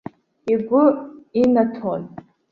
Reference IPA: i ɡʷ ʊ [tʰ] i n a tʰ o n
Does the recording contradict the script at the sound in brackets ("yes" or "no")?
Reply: yes